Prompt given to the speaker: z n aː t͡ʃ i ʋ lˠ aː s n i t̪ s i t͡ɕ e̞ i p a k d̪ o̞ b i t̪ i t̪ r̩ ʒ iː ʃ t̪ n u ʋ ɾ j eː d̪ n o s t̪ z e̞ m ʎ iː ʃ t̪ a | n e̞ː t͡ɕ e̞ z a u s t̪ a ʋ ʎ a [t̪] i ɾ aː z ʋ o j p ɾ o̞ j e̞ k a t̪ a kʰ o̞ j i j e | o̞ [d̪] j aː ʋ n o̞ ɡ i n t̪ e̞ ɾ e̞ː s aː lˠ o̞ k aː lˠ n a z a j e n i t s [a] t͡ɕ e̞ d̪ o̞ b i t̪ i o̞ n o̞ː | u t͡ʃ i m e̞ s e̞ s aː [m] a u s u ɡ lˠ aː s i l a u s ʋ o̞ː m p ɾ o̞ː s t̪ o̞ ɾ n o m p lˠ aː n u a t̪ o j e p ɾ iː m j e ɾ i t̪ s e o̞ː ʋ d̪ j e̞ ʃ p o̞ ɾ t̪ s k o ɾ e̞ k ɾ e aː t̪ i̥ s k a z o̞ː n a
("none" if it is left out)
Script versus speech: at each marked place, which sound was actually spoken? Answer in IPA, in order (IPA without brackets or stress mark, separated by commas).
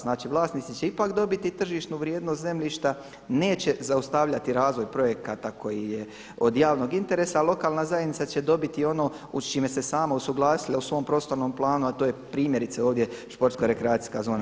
t̪, d̪, a, m